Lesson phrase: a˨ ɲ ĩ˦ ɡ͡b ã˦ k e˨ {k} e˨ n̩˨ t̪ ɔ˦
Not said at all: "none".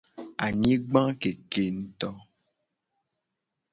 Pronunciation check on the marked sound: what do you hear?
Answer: k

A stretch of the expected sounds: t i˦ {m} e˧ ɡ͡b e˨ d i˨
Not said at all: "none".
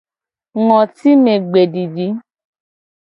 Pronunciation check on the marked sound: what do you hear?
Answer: m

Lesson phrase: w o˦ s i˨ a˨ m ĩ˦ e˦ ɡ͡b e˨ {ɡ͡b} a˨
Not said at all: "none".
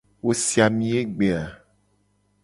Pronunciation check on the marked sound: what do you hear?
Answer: none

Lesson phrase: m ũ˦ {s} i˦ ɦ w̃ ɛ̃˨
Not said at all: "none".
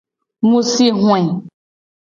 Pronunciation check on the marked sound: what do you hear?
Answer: s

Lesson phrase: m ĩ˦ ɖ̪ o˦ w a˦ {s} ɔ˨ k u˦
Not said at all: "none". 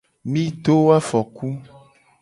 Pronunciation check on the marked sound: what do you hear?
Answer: f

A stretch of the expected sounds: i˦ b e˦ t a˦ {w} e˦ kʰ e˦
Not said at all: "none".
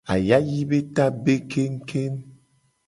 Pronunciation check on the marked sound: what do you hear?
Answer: b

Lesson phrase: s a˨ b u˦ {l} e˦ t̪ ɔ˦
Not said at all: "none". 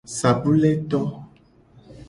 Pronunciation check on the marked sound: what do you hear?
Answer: l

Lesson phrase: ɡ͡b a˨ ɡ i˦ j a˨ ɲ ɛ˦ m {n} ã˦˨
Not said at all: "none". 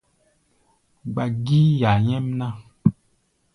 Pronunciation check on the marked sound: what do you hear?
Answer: n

